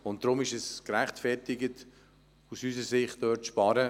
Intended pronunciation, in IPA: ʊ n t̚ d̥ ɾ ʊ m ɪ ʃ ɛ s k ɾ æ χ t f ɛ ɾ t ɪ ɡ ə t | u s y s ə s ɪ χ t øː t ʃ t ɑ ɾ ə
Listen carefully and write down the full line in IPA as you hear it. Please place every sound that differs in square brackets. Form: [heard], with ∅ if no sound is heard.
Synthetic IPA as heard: ʊ n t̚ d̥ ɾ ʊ m ɪ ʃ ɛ s k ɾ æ χ t f ɛ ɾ t ɪ ɡ ə t | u s y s ə s ɪ χ t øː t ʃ [p] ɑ ɾ ə